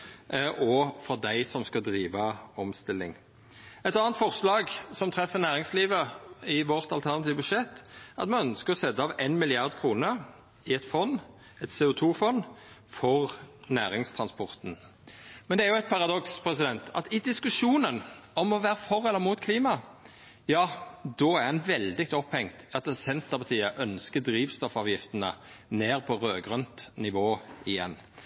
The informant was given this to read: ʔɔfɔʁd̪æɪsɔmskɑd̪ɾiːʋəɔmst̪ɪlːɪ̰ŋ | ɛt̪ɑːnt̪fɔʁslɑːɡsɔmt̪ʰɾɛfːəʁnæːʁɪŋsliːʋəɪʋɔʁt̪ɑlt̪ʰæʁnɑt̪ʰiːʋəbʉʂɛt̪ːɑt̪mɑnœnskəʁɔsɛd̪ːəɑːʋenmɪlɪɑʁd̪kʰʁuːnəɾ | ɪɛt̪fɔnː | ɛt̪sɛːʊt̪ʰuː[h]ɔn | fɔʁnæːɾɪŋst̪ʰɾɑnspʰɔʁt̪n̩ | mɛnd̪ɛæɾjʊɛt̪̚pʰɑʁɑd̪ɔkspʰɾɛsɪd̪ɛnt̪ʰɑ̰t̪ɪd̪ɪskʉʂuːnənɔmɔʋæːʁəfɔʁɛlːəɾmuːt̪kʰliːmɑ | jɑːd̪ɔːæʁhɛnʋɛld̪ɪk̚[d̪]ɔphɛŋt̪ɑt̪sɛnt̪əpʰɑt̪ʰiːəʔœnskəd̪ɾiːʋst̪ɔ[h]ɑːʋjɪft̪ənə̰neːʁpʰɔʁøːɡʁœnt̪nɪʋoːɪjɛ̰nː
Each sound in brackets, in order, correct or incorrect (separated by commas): incorrect, incorrect, incorrect